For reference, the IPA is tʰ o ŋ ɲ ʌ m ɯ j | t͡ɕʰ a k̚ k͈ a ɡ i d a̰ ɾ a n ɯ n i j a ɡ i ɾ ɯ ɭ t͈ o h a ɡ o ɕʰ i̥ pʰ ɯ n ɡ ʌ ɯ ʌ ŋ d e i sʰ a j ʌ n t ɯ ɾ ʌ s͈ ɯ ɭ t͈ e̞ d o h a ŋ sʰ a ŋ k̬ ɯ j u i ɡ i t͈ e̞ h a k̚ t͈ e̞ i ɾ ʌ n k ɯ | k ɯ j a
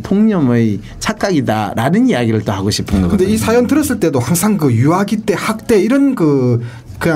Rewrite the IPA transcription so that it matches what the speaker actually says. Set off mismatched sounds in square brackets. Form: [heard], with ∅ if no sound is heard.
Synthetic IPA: tʰ o ŋ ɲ ʌ m ɯ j | t͡ɕʰ a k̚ k͈ a ɡ i d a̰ ɾ a n ɯ n i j a ɡ i ɾ ɯ ɭ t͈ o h a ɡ o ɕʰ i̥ pʰ ɯ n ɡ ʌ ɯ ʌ [n] d e i sʰ a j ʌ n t ɯ ɾ ʌ s͈ ɯ ɭ t͈ e̞ d o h a ŋ sʰ a ŋ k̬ ɯ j u [a] ɡ i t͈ e̞ h a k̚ t͈ e̞ i ɾ ʌ n k ɯ | k ɯ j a